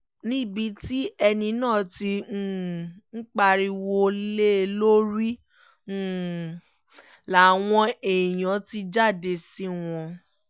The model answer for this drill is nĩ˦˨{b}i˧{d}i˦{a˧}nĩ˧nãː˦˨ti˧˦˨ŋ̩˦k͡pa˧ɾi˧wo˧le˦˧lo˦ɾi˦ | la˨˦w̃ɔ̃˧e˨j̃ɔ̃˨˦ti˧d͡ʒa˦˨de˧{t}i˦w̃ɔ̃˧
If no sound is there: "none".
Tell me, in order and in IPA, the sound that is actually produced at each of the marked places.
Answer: b, t, ɛ˧, s

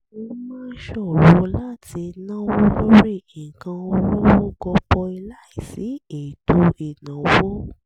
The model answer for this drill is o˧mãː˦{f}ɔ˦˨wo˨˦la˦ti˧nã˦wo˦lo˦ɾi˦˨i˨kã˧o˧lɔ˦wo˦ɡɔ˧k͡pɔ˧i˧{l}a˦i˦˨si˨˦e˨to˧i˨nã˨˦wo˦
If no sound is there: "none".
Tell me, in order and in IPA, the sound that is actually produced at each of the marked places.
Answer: ʃ, l

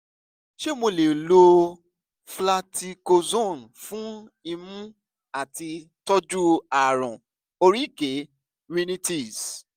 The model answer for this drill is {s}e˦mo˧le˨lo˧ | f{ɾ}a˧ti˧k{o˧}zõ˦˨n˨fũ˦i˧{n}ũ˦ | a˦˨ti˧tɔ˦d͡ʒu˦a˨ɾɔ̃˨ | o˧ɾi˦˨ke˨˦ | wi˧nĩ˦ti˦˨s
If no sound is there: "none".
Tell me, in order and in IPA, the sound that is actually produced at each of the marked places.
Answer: ʃ, l, o˧, m

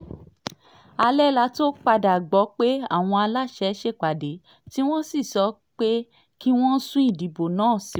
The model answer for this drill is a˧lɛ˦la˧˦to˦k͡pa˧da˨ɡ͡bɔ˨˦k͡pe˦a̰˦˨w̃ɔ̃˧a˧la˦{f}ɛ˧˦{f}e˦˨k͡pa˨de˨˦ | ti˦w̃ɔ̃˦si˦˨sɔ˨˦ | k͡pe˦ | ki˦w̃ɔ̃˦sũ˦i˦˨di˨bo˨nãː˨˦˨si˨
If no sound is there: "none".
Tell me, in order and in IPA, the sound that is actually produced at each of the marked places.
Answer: ʃ, ʃ

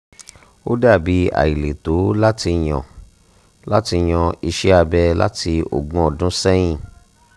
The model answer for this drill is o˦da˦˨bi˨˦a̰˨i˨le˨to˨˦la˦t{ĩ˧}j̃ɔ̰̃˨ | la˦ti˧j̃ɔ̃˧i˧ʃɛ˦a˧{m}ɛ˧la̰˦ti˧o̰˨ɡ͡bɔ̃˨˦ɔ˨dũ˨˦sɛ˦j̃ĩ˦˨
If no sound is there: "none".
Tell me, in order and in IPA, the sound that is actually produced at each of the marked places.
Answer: i˧, b

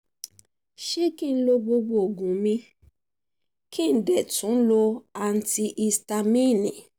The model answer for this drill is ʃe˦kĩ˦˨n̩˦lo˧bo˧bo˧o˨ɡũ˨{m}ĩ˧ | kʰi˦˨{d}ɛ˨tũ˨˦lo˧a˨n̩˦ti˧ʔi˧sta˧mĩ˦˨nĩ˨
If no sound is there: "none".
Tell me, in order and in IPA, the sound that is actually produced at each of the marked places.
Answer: m, d

